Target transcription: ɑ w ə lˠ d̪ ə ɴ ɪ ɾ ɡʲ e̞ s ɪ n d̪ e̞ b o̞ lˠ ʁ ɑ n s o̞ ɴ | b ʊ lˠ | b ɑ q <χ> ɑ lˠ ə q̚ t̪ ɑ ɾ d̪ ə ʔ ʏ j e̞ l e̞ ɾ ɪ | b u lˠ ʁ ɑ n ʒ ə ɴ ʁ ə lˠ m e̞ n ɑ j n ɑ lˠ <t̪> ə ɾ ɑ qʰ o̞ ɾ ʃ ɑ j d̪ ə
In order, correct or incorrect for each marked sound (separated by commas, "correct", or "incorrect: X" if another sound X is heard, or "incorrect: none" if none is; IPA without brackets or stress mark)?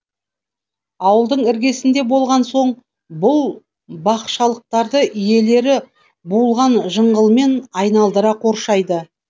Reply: incorrect: ʃ, incorrect: d̪